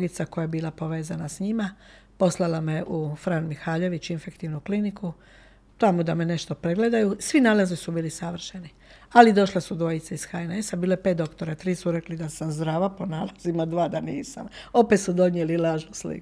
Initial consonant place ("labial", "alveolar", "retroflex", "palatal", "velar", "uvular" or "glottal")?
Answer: velar